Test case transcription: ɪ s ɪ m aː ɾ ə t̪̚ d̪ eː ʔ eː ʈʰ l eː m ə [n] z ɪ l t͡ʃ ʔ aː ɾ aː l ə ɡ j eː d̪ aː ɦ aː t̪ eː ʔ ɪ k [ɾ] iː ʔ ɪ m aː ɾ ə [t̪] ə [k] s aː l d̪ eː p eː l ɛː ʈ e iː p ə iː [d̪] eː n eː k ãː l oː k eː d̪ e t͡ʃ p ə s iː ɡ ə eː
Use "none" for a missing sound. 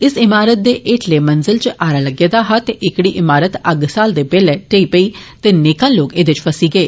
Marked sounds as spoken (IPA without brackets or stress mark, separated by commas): n, ɽ, t̪, ɡ, t̪